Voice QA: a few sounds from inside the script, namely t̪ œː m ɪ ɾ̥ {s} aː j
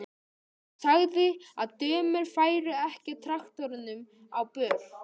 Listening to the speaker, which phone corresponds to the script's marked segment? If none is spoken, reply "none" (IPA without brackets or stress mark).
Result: f